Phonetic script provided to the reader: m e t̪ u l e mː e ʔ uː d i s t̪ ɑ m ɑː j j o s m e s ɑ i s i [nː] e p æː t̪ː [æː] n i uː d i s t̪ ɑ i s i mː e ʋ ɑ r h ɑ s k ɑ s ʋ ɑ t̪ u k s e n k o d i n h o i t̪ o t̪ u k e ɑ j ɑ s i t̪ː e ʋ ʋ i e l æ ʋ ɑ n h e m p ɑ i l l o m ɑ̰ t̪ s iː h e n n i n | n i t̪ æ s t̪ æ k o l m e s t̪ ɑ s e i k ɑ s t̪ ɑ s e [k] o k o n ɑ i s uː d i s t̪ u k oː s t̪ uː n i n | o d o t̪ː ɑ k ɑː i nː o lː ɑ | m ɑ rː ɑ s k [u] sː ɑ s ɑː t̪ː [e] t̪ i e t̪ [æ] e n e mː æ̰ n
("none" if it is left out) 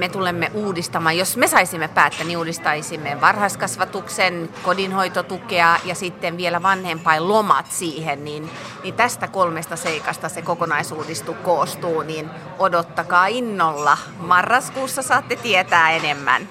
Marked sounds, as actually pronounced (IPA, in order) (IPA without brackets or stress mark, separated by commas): mː, æ, k, uː, e, æː